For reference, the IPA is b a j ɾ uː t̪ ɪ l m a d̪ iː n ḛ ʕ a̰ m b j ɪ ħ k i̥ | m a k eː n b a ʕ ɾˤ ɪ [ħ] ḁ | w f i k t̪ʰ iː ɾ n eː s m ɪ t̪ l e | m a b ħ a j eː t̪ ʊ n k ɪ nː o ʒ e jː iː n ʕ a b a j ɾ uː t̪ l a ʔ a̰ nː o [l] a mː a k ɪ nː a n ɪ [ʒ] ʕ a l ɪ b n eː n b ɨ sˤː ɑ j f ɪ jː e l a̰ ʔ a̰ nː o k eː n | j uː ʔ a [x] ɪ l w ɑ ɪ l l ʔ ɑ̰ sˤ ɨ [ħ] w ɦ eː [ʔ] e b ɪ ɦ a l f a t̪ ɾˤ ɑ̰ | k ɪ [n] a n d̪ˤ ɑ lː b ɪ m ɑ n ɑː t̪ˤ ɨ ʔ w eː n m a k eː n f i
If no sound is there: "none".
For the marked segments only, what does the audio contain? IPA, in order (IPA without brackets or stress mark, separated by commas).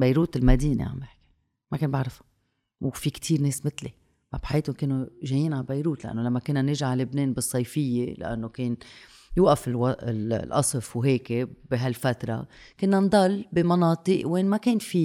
f, l, ʒ, f, f, k, nː